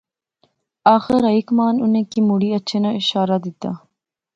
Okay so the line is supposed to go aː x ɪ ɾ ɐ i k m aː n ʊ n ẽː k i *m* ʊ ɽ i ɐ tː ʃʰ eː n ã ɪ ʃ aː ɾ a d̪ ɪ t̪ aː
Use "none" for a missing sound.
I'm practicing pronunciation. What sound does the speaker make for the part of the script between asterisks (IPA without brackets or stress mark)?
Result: m